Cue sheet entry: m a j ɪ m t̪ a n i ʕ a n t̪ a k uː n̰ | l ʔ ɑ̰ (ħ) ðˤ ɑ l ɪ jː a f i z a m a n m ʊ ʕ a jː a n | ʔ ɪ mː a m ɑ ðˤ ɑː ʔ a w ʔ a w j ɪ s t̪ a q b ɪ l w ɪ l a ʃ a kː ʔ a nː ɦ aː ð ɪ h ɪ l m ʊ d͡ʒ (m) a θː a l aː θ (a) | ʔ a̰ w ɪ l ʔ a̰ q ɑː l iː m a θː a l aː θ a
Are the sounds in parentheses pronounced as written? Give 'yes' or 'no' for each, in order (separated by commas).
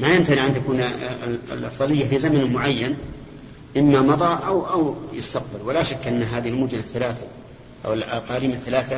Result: no, no, yes